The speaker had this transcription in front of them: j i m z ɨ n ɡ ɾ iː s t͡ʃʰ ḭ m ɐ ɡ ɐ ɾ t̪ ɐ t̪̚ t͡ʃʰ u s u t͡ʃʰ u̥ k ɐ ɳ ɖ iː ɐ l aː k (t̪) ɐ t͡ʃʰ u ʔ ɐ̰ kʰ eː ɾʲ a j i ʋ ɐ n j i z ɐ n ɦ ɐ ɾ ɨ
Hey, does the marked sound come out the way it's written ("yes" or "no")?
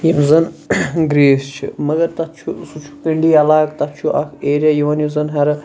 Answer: yes